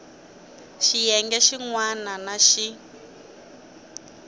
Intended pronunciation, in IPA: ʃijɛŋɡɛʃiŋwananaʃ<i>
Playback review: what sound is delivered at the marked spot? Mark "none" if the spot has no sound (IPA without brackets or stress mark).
i